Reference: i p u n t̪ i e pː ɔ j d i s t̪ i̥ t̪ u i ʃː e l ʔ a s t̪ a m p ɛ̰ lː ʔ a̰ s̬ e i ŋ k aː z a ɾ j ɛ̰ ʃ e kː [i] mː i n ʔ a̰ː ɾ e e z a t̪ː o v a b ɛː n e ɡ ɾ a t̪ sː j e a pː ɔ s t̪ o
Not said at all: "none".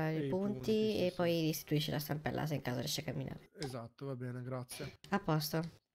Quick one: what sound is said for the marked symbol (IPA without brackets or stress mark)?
a